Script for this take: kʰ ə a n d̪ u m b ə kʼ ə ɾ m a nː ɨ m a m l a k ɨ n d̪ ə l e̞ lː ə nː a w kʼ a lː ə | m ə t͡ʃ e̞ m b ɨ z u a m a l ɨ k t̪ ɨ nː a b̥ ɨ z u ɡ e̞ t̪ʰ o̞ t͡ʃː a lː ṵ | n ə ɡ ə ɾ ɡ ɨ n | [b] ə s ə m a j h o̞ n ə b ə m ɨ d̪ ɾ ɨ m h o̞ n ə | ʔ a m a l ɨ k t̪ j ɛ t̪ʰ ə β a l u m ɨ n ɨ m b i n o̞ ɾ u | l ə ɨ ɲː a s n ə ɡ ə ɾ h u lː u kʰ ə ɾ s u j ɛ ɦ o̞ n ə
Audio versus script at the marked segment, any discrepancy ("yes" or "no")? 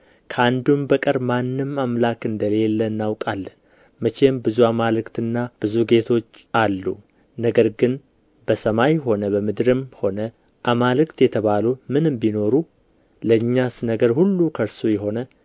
no